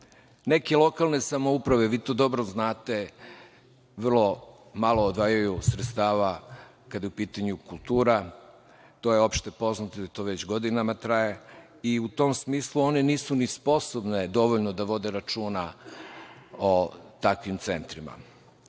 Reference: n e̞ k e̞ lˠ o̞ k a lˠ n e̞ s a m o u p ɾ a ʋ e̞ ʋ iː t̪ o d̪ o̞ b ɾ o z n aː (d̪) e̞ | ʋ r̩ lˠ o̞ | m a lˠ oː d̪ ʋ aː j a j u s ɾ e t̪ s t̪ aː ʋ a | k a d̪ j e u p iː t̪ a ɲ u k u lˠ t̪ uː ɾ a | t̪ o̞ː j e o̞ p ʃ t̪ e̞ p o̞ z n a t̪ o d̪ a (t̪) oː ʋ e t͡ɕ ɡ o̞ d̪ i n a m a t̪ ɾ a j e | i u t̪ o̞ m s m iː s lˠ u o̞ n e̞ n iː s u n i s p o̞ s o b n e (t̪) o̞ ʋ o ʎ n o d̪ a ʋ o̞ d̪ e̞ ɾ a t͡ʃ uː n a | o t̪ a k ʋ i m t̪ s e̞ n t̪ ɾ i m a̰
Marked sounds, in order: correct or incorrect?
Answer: incorrect: t̪, correct, incorrect: d̪

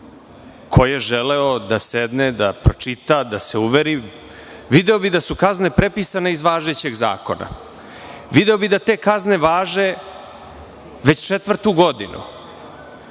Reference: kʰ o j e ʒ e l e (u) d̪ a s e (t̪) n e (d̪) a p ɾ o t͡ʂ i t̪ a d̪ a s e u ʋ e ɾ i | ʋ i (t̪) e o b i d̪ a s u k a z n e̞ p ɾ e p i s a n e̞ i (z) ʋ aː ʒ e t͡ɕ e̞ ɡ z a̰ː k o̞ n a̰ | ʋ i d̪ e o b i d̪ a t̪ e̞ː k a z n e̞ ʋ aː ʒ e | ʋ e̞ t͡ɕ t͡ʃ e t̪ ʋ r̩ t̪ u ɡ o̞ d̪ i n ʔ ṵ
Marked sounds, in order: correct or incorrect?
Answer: incorrect: o, incorrect: d̪, correct, incorrect: d̪, correct

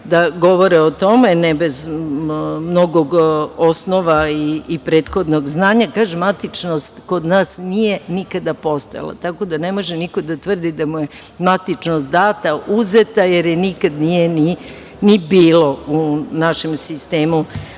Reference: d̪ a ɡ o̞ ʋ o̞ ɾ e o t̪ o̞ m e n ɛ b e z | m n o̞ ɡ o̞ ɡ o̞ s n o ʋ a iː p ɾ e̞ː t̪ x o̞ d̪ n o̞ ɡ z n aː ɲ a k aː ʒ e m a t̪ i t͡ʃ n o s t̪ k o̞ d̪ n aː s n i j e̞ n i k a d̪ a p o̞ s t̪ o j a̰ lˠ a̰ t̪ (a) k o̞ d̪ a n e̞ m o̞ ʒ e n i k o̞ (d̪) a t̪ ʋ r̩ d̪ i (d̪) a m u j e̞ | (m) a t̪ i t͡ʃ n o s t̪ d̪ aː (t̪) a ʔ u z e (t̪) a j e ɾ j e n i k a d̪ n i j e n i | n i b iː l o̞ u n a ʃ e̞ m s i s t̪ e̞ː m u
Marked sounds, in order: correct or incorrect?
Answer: correct, correct, correct, correct, correct, correct

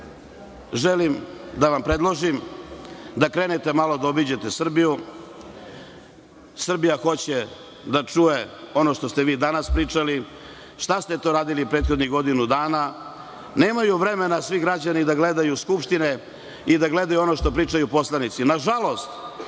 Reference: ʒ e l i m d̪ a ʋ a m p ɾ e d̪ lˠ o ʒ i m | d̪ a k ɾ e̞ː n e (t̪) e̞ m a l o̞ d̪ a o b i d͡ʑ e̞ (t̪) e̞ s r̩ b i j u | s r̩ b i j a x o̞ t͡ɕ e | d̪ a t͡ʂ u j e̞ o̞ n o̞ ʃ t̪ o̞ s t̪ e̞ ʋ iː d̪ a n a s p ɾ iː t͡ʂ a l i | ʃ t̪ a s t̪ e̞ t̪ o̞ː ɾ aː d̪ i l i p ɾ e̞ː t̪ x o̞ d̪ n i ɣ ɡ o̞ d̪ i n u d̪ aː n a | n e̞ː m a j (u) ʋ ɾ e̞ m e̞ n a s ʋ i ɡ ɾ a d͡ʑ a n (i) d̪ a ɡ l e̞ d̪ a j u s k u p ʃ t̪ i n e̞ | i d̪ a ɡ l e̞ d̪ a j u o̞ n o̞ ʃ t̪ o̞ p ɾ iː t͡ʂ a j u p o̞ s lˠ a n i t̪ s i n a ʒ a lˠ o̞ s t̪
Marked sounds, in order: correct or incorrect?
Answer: correct, correct, correct, correct

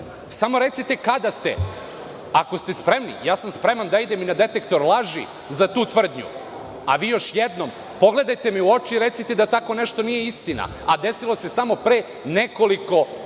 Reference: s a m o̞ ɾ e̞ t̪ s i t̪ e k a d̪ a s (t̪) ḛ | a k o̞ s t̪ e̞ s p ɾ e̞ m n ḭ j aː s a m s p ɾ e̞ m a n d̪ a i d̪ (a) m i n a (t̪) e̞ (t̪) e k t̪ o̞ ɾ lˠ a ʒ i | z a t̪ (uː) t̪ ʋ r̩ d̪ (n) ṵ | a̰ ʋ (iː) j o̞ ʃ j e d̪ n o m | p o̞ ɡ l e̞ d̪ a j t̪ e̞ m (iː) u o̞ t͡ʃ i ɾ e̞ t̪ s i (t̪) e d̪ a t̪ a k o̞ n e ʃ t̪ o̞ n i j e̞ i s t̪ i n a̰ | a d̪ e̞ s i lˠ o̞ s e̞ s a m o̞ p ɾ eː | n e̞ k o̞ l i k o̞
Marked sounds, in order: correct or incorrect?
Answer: correct, incorrect: e, incorrect: d̪, correct, correct, incorrect: ɲ, correct, incorrect: i, correct

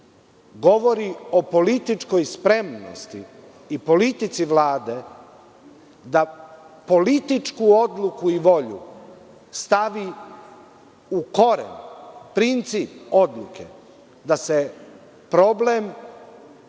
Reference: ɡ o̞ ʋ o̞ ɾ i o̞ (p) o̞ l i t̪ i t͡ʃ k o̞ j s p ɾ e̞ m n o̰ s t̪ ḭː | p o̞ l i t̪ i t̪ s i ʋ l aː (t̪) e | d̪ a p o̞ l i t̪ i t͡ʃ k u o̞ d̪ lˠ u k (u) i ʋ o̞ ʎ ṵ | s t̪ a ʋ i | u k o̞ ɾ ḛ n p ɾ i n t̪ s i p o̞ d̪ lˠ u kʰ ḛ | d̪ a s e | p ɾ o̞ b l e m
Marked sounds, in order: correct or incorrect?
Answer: correct, incorrect: d̪, correct

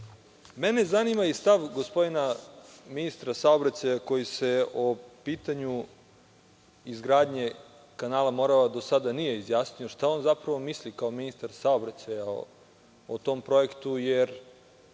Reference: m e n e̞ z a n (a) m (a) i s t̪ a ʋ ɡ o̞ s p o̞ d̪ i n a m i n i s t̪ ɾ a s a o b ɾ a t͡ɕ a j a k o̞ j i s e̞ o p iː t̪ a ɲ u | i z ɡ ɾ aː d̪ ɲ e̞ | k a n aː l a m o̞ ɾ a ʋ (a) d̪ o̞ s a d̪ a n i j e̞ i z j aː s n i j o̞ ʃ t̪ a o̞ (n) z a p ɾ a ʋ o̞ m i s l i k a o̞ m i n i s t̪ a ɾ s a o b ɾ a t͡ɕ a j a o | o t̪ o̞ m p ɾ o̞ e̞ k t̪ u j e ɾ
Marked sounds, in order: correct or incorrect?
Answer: incorrect: i, correct, correct, correct

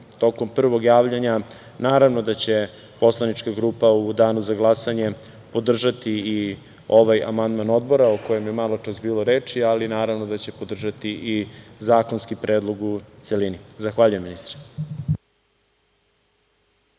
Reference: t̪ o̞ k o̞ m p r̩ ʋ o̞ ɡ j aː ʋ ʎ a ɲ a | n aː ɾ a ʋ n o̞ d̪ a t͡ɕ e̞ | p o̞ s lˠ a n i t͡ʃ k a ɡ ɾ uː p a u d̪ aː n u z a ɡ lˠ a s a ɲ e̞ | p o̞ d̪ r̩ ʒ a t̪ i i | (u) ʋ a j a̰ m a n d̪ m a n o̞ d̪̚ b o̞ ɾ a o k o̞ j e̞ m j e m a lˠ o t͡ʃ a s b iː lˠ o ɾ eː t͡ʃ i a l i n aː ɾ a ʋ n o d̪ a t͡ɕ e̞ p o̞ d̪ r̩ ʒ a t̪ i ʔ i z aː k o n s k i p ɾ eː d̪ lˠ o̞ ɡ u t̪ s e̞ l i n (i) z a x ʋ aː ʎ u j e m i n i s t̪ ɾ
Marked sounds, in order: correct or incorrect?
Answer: incorrect: o, correct

